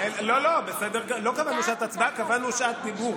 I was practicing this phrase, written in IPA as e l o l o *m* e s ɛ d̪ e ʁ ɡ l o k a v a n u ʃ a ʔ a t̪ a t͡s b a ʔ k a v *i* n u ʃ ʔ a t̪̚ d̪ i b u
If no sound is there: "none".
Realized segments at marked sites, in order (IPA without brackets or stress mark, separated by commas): b, a